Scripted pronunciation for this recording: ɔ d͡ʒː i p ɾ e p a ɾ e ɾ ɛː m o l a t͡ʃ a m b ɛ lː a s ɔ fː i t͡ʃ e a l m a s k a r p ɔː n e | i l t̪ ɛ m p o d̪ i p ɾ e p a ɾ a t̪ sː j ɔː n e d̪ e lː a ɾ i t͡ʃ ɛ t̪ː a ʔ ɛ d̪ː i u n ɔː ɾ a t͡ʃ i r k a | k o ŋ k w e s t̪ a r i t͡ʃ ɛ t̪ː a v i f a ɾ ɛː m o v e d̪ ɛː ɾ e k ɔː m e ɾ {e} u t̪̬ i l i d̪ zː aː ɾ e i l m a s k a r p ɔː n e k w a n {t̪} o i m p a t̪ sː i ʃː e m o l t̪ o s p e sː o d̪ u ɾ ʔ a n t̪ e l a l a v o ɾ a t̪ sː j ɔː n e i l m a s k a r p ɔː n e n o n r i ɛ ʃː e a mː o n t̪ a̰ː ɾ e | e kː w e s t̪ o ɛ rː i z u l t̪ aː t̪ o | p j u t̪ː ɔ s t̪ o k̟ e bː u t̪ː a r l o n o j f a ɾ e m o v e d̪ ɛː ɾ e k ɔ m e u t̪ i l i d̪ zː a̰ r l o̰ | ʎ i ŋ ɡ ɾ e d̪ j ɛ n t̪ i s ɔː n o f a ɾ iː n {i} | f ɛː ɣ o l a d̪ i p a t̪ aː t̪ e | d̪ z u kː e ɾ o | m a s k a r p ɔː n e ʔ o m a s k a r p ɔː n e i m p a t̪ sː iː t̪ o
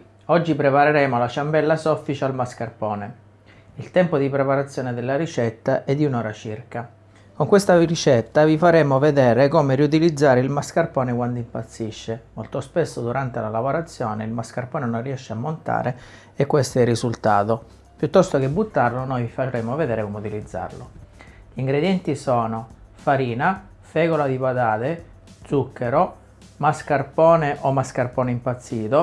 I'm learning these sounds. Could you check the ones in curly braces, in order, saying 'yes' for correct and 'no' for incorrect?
no, no, no

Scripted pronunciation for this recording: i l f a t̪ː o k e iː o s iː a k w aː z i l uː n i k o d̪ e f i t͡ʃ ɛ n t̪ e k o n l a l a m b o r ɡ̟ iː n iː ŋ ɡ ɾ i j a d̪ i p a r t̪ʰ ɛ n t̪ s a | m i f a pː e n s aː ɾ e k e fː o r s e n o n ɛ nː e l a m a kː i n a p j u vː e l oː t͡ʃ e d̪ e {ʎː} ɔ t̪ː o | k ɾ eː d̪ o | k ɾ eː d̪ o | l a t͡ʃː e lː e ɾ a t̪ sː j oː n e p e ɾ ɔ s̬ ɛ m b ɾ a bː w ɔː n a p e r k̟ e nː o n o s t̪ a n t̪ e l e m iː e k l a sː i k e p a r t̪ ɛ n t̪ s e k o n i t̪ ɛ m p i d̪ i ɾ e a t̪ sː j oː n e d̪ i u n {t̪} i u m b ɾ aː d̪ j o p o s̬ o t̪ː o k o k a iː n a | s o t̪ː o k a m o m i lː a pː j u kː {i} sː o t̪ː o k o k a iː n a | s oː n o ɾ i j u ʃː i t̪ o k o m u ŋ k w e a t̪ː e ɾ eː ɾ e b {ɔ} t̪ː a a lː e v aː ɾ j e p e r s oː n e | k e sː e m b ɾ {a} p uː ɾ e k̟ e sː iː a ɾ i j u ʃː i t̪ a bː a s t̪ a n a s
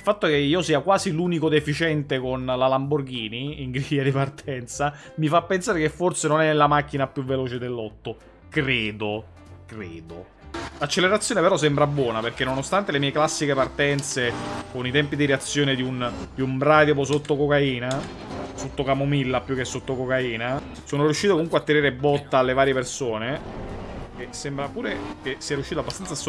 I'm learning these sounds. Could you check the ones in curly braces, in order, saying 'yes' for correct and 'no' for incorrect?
no, no, no, yes, yes

